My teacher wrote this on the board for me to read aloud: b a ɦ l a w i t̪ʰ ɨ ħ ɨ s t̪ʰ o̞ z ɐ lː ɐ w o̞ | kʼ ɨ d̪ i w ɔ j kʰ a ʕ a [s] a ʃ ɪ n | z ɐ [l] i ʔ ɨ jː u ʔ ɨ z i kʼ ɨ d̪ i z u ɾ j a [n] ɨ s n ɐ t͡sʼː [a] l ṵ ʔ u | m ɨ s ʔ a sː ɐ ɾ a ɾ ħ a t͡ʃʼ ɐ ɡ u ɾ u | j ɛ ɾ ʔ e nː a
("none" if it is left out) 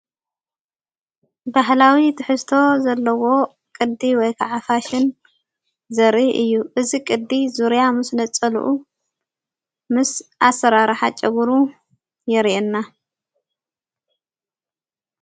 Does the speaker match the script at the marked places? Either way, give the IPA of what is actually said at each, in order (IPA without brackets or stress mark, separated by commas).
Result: f, ɾ, m, ɐ